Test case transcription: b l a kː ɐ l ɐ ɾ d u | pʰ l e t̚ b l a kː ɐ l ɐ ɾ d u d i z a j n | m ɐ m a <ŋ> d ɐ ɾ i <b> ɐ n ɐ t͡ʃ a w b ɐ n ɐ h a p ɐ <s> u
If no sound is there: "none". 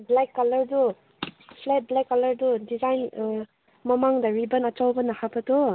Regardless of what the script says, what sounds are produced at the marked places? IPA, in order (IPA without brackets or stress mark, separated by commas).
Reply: ŋ, b, t